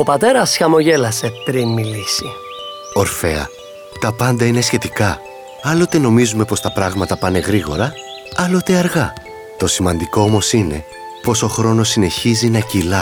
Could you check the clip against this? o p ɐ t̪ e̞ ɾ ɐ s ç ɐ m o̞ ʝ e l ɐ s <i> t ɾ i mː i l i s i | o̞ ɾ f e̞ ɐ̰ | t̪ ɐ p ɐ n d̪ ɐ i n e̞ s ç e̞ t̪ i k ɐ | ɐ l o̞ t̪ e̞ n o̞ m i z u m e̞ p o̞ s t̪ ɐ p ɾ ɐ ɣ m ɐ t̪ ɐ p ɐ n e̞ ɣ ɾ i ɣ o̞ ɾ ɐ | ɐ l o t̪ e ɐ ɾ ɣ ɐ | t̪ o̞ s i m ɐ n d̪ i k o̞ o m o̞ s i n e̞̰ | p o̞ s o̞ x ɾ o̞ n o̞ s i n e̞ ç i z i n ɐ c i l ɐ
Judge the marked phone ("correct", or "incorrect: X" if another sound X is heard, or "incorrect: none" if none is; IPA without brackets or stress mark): incorrect: e